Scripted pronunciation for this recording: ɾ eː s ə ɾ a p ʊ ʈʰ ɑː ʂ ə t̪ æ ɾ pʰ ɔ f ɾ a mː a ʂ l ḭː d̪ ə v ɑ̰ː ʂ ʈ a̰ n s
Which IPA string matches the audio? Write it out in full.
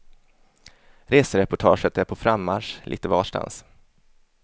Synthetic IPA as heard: ɾ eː s ə ɾ ɛ p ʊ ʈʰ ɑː ʂ ə t̪ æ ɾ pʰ ɔ f ɾ a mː a ʂ l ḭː t̪ ə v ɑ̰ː ʂ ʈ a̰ n s